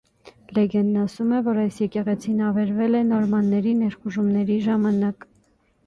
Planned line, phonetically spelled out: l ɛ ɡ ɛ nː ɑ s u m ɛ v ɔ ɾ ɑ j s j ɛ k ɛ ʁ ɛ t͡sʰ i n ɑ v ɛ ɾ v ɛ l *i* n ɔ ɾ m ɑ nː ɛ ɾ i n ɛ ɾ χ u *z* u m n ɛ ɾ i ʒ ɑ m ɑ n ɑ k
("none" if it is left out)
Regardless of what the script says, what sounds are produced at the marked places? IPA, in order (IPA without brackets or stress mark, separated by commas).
ɛ, ʒ